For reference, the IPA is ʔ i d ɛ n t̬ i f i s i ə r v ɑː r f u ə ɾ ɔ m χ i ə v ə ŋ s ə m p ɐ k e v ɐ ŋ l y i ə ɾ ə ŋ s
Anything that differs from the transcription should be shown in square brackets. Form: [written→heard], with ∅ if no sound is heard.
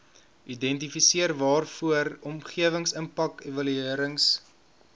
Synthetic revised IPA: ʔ i d ɛ n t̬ i f i s i ə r v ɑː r f u ə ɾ ɔ m χ i ə v ə ŋ s ə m p ɐ k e v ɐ [ŋ→∅] l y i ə ɾ ə ŋ s